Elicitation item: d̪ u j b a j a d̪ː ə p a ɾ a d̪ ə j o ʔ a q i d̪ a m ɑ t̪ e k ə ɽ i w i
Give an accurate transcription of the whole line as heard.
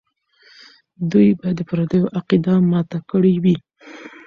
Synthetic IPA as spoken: d̪ u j b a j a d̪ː ə p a ɾ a d̪ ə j o ʔ a q i d̪ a m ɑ t̪ a k ə ɽ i w i